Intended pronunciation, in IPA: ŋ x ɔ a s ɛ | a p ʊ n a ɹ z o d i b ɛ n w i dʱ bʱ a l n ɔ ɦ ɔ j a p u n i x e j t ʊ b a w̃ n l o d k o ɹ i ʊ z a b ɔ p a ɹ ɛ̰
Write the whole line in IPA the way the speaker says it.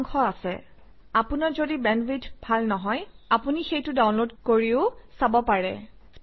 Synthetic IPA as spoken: ŋ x ɔ a s ɛ | a p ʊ n a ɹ z o d i b ɛ n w i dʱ bʱ a l n ɔ ɦ ɔ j a p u n i x e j t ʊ d a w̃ n l o d k o ɹ i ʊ s a b ɔ p a ɹ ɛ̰